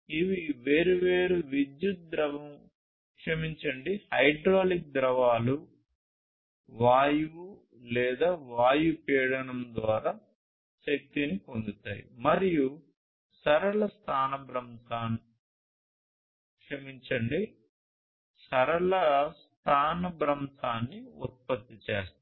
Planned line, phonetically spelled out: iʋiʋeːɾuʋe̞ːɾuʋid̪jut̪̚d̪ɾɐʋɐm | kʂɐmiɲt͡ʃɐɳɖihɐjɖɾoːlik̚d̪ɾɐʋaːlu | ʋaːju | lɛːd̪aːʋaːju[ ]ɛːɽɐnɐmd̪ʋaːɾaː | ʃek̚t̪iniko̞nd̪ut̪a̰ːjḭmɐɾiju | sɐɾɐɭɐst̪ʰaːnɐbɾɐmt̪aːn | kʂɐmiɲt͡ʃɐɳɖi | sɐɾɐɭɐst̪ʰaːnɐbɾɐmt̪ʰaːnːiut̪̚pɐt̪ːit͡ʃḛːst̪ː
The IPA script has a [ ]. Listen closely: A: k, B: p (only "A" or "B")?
B